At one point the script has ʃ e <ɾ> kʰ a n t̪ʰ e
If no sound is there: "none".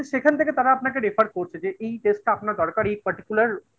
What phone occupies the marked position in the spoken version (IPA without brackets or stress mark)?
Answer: none